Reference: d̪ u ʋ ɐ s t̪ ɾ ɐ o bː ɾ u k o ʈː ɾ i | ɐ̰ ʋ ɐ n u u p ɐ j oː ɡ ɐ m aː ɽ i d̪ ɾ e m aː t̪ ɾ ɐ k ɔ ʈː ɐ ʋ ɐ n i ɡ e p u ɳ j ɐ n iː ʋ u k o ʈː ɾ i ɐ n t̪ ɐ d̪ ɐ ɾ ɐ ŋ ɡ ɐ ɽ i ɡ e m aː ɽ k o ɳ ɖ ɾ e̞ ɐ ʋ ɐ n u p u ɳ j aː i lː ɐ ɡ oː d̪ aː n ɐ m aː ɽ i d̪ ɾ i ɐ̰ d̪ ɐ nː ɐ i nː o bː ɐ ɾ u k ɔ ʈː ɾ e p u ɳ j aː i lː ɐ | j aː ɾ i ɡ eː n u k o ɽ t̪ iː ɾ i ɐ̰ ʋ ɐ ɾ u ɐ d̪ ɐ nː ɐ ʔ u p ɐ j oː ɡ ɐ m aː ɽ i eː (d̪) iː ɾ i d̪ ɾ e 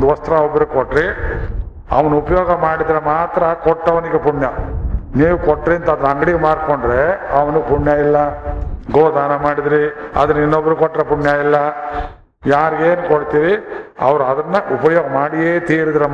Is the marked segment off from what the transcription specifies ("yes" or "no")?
yes